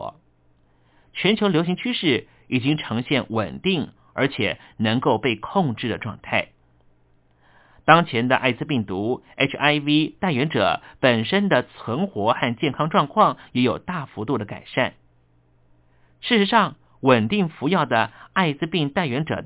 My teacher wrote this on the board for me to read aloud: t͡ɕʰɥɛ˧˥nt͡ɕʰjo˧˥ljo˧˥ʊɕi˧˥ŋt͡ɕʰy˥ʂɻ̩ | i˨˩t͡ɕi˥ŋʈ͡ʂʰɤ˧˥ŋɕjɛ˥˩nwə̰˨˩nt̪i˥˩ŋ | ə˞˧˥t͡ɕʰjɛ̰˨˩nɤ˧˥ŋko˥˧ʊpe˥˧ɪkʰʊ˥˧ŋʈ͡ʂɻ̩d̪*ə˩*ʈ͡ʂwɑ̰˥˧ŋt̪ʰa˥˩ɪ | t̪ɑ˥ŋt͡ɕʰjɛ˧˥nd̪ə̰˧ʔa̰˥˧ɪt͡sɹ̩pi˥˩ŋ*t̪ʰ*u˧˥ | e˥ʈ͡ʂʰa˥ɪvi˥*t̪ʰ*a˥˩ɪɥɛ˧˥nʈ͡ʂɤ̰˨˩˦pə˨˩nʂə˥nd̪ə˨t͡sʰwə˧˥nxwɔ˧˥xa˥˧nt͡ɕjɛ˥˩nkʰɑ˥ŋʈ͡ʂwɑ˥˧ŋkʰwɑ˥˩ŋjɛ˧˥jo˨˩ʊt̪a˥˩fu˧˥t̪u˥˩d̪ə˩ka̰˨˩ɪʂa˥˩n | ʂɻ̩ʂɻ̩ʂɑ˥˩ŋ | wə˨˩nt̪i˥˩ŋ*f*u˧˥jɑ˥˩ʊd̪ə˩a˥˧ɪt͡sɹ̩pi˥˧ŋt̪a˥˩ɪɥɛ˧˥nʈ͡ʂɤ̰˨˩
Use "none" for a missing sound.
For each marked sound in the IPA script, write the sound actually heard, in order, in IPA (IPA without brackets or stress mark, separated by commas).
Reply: ə˩, t̪, t̪, f